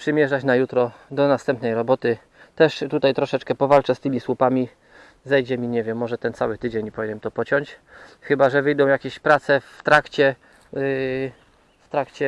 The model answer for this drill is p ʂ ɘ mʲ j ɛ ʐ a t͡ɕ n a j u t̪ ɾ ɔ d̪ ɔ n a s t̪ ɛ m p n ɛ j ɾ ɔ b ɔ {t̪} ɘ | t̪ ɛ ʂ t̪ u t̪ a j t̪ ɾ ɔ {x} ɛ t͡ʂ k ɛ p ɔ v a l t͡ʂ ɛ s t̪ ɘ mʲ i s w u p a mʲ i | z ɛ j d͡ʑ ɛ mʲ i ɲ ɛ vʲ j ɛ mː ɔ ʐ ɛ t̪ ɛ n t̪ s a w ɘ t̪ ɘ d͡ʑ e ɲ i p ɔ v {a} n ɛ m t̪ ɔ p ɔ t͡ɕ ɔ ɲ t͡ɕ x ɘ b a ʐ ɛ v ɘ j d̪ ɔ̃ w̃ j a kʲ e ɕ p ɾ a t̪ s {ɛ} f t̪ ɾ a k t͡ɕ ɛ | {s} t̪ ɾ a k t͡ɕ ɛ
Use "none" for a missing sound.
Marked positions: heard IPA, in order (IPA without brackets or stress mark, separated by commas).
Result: t̪, ʂ, i, ɛ, f